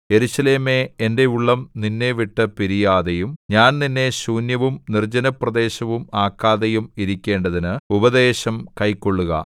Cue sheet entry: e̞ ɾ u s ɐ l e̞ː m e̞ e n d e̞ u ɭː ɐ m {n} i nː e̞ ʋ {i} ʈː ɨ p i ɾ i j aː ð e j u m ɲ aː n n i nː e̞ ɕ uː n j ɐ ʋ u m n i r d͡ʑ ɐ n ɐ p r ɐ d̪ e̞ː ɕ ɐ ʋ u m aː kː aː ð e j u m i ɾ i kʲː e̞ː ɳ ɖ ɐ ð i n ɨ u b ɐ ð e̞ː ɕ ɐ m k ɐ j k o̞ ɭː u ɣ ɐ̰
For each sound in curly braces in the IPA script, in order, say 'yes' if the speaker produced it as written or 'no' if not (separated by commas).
yes, yes